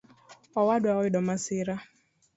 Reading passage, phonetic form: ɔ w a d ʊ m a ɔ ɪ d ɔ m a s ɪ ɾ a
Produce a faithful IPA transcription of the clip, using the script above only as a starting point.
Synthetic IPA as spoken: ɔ w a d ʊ a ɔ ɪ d ɔ m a s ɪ ɾ a